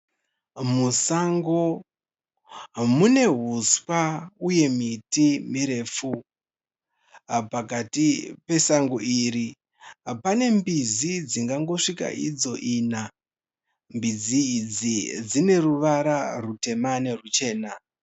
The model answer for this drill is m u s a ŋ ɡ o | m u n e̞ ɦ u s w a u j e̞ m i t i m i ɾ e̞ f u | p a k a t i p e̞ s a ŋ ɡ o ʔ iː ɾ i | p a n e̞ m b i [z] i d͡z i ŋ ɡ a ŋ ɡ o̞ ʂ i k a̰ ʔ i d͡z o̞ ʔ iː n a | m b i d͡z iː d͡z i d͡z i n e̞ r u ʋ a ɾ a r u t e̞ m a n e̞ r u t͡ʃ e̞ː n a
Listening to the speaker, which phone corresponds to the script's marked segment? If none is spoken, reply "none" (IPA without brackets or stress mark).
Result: z